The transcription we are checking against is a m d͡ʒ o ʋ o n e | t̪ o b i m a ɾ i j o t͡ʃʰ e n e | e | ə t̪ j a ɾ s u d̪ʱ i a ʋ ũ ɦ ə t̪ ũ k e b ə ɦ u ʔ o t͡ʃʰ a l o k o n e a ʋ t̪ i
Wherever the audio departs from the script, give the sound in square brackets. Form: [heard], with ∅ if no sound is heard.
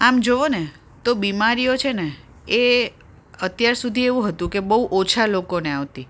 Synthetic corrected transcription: a m d͡ʒ o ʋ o n e | t̪ o b i m a ɾ i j o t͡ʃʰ e n e | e | ə t̪ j a ɾ s u d̪ʱ i [e] ʋ ũ ɦ ə t̪ ũ k e b ə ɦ u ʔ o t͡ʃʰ a l o k o n e a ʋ t̪ i